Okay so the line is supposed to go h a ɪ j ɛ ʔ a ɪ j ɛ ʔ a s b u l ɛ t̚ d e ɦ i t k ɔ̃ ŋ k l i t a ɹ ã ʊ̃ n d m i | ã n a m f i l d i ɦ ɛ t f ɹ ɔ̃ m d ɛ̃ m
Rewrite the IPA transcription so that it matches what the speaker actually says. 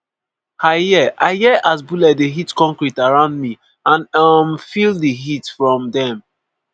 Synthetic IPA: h a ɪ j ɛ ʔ a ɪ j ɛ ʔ a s b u l ɛ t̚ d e ɦ i t k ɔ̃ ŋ k ɹ i t a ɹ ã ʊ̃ n d m i | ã n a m f i l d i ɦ i t f ɹ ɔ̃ m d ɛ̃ m